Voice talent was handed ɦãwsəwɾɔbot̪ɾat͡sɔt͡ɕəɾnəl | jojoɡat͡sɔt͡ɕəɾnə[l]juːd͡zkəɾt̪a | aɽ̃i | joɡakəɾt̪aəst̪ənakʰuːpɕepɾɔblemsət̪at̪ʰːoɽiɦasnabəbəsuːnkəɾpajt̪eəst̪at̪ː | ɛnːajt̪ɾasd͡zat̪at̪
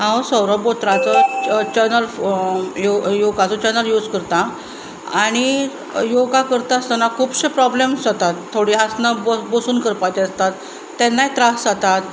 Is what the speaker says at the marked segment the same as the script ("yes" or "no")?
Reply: yes